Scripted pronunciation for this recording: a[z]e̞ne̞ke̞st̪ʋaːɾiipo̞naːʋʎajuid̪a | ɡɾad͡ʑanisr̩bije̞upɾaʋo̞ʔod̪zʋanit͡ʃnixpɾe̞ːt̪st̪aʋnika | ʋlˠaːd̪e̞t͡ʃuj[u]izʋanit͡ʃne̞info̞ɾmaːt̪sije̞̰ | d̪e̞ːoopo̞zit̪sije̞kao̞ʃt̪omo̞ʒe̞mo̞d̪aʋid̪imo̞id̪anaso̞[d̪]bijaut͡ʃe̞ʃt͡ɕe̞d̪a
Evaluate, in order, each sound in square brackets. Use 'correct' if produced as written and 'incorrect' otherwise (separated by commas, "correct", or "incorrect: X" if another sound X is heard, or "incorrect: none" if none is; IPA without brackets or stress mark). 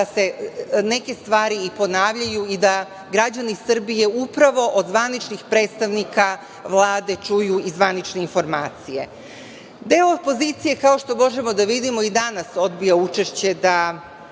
incorrect: s, correct, correct